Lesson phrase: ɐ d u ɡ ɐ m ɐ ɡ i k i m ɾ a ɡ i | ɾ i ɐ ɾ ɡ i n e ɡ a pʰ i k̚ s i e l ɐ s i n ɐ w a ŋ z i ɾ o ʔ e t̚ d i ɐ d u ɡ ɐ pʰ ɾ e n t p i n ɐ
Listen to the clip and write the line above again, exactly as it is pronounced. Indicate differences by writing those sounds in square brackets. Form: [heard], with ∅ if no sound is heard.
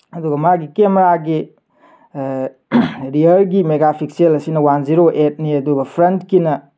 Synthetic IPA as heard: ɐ d u ɡ ɐ m [a] ɡ i k [e] m ɾ a ɡ i | ɾ i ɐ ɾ ɡ i [m] e ɡ a pʰ i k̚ s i e l ɐ s i n ɐ w a [n] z i ɾ o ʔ e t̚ [n] i ɐ d u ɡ ɐ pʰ ɾ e n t [k] i n ɐ